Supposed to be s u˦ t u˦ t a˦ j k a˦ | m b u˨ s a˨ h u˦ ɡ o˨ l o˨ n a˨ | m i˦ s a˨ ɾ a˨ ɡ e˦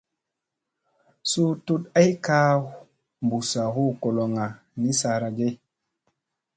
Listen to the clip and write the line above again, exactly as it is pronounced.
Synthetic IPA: s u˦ t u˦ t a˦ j k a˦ | m b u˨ s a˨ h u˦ k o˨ l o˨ ŋ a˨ | n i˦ s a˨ ɾ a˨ ɡ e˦